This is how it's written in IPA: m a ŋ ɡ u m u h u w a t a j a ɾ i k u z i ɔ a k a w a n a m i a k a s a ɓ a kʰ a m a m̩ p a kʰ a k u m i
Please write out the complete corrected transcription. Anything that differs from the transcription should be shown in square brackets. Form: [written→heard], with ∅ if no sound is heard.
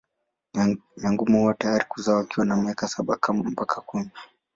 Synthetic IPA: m a ŋ ɡ u m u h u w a t a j a ɾ i k u z [i→a] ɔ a k [a→i] w a n a m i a k a s a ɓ a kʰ a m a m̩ p a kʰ a k u m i